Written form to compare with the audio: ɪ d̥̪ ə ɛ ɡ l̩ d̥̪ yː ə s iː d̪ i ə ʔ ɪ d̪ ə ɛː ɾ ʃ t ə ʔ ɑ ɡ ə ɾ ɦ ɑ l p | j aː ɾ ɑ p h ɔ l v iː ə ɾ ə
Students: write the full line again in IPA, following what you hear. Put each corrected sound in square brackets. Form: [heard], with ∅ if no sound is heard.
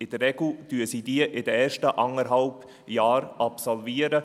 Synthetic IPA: ɪ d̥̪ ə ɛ ɡ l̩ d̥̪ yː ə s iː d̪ i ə ʔ ɪ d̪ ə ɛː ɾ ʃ t ə ʔ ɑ [ŋ] ə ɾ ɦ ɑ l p | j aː ɾ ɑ p [s] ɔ l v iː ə ɾ ə